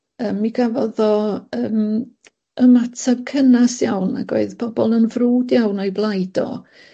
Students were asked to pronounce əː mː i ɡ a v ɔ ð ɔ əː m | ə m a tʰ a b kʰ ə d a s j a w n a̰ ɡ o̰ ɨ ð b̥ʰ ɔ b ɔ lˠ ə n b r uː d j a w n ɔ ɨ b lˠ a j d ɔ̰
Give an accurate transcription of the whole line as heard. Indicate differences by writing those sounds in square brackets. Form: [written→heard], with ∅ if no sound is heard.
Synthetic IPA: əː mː i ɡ a v ɔ ð ɔ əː m | ə m a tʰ a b kʰ ə [d→n] a s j a w n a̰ ɡ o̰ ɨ ð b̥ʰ ɔ b ɔ lˠ ə n [b→v] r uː d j a w n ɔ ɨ b lˠ a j d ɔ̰